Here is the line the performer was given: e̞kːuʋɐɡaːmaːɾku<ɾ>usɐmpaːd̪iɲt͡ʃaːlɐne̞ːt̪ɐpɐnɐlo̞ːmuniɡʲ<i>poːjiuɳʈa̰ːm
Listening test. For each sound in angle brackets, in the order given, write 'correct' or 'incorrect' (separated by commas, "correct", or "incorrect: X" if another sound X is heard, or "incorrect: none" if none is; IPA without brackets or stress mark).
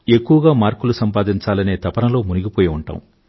incorrect: l, correct